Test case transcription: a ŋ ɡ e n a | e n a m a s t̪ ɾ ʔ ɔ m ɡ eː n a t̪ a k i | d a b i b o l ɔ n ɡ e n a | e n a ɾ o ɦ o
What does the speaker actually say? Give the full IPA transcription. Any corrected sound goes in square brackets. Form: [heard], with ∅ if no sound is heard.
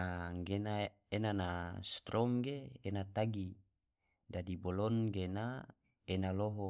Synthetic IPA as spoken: a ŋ ɡ e n a | e n a [n] a s t̪ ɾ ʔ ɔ m ɡ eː n a t̪ a [ɡ] i | d a [d] i b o l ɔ n ɡ e n a | e n a [l] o ɦ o